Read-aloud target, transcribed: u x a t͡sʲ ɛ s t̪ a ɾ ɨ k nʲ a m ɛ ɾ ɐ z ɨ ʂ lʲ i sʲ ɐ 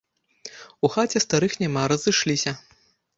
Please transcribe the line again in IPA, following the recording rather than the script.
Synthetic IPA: u x a t͡sʲ ɛ s t̪ a ɾ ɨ x nʲ a m a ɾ ɐ z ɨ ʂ lʲ i sʲ ɐ